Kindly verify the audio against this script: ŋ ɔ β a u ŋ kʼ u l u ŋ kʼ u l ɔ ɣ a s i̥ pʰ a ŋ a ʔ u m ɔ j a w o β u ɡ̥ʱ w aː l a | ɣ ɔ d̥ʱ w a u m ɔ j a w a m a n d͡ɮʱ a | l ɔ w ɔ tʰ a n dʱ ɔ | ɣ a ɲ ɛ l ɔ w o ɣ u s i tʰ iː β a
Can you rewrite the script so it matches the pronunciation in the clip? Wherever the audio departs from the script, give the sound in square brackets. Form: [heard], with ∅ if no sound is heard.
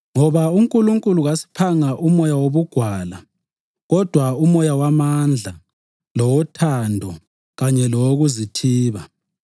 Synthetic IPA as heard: ŋ ɔ β a u ŋ kʼ u l u ŋ kʼ u l [u] ɣ a s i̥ pʰ a ŋ a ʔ u m ɔ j a w o β u ɡ̥ʱ w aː l a | ɣ ɔ d̥ʱ w a u m ɔ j a w a m a n d͡ɮʱ a | l ɔ w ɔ tʰ a n dʱ ɔ | ɣ a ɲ ɛ l ɔ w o ɣ u [z] i tʰ iː β a